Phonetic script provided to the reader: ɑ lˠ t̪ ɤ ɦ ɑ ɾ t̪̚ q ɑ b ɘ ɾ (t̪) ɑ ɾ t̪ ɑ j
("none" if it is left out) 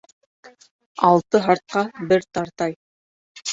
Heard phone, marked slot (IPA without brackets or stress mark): t̪